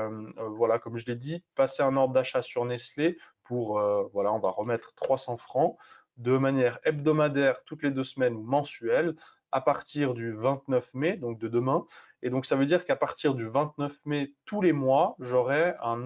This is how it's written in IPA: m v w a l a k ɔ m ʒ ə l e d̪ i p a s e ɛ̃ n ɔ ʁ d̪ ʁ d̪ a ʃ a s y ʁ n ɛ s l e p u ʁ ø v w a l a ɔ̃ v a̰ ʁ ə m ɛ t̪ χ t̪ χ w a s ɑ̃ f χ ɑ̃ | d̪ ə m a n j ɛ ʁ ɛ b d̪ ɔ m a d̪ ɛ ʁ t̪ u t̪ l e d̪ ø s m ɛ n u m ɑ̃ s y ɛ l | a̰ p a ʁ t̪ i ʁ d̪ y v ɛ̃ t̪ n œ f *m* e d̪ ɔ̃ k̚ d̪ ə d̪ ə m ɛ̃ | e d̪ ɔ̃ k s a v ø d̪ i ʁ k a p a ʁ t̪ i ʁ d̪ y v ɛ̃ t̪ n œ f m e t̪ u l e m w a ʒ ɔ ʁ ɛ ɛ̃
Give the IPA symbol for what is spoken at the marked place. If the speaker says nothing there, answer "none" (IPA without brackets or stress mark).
m